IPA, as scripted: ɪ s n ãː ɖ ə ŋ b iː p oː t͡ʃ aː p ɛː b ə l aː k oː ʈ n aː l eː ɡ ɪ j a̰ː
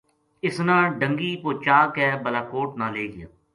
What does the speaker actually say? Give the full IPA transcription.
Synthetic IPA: ɪ s n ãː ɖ ə ŋ ɡ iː p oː t͡ʃ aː k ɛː b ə l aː k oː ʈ n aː l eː ɡ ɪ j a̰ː